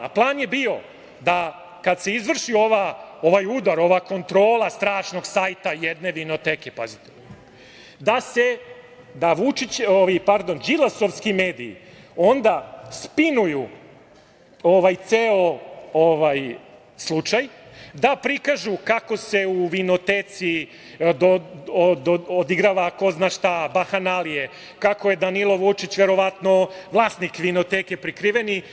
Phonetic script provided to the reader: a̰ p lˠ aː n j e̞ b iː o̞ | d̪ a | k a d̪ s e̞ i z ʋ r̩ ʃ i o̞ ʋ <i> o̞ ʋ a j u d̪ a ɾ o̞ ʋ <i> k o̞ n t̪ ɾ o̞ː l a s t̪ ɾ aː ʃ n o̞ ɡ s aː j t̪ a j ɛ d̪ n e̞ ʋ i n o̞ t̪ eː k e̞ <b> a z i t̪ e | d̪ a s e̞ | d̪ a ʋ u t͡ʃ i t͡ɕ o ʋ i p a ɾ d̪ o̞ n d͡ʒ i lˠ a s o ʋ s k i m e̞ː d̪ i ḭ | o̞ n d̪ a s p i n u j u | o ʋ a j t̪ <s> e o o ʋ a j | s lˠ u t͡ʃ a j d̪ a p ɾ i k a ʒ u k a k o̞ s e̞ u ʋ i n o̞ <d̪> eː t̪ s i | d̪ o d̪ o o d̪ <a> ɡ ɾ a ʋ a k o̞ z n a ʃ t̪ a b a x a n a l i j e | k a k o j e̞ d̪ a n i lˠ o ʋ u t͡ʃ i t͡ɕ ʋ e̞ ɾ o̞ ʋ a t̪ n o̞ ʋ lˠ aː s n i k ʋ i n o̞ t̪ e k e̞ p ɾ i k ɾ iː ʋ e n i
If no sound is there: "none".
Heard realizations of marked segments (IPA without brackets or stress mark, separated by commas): a, a, p, s, t̪, i